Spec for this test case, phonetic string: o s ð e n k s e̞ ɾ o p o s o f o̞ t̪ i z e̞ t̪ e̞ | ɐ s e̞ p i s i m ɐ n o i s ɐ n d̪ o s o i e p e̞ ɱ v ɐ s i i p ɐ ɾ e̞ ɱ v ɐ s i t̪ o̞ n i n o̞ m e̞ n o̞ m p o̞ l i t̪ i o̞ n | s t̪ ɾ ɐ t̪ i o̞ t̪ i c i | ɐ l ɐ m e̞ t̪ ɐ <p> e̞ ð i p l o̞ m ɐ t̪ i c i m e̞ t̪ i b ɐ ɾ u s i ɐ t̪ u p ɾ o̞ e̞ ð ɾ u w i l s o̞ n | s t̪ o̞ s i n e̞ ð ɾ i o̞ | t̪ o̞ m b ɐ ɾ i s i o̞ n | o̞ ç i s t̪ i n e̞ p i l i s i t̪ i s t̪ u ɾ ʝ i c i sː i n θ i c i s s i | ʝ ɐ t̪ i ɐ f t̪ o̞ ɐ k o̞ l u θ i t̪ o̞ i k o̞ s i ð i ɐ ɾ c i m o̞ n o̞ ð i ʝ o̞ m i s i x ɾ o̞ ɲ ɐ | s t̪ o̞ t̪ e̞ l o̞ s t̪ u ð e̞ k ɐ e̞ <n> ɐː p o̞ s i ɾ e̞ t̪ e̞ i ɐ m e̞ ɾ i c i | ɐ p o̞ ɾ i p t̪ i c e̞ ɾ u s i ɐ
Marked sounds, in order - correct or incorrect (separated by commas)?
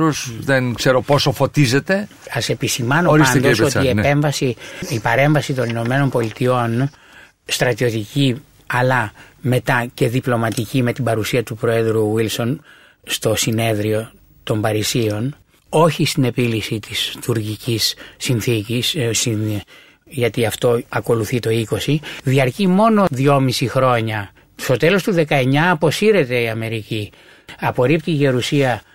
incorrect, incorrect